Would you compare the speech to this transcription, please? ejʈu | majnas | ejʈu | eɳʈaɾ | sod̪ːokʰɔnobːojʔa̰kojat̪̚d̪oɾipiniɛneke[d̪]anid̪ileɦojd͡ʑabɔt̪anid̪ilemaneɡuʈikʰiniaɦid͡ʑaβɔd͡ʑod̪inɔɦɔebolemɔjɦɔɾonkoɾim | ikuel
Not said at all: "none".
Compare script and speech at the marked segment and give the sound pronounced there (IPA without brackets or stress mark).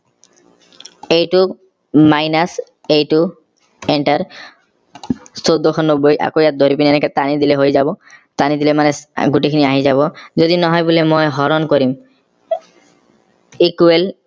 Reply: t̪